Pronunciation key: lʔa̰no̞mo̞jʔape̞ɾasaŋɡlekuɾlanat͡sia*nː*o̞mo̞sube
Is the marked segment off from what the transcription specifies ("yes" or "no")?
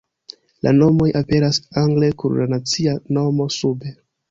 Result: yes